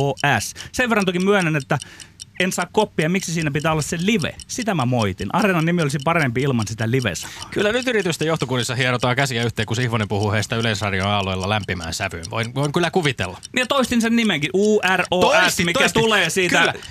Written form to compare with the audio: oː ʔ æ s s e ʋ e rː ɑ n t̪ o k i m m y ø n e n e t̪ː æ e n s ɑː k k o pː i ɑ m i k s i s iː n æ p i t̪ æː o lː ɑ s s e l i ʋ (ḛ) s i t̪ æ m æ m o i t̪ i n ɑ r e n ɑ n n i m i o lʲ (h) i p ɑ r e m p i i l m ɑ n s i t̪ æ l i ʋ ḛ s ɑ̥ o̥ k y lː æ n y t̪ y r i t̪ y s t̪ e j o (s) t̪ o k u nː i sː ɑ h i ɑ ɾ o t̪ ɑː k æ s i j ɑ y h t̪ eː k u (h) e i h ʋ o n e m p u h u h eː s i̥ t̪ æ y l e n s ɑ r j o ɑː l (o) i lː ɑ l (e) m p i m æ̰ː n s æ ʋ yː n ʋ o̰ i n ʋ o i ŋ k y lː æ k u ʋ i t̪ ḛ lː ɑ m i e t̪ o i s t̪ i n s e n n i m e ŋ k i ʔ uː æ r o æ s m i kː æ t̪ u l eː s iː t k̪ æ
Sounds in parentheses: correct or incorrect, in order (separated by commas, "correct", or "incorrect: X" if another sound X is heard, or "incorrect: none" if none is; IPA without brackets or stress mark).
correct, incorrect: s, incorrect: h, incorrect: s, correct, incorrect: æ